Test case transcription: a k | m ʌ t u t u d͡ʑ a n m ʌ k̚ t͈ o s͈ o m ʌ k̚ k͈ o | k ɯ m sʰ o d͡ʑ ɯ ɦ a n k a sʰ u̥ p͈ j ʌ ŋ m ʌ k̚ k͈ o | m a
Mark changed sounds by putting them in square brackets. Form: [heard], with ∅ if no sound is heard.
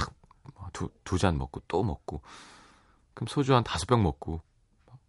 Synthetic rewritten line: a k | m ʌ t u t u d͡ʑ a n m ʌ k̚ [k͈] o [t͈] o m ʌ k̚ k͈ o | k ɯ m sʰ o d͡ʑ [u] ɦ a n [t] a sʰ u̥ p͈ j ʌ ŋ m ʌ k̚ k͈ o | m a